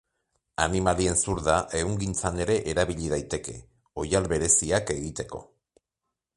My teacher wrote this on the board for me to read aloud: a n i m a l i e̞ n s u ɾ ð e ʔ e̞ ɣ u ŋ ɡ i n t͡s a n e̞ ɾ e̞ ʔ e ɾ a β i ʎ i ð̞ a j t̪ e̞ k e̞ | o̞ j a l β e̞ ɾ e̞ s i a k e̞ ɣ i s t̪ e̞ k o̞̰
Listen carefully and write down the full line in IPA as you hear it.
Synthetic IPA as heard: a n i m a l i e̞ n s u ɾ ð a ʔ e̞ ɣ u ŋ ɡ i n t͡s a n e̞ ɾ e̞ ʔ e ɾ a β i ʎ i ð̞ a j t̪ e̞ k e̞ | o̞ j a l β e̞ ɾ e̞ s i a k e̞ ɣ i t̪ e̞ k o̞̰